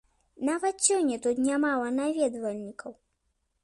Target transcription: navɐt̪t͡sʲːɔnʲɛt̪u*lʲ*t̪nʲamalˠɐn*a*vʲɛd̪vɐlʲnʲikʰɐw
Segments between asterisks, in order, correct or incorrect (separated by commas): incorrect, correct